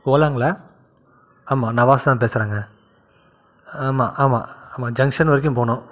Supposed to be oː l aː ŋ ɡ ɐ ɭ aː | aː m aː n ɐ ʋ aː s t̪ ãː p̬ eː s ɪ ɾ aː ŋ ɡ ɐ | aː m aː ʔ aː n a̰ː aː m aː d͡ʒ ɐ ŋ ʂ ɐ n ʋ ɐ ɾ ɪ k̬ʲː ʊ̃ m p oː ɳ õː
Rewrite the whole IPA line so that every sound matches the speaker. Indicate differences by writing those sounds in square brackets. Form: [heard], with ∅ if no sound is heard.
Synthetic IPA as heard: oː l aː ŋ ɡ ɐ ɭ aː | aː m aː n ɐ ʋ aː s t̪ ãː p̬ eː s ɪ ɾ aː ŋ ɡ ɐ | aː m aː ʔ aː [m] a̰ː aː m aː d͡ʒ ɐ ŋ ʂ ɐ n ʋ ɐ ɾ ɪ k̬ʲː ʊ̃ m p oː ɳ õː